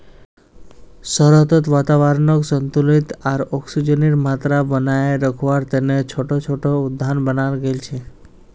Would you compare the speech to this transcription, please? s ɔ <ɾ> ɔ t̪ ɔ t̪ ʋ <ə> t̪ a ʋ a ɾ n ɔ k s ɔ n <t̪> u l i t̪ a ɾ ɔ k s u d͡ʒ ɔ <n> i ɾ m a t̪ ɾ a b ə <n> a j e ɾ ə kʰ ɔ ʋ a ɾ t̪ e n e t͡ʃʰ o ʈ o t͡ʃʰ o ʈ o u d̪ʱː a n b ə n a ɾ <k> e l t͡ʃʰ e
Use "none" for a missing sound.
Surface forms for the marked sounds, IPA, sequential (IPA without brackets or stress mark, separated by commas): ɾ, a, t̪, n, n, ɡ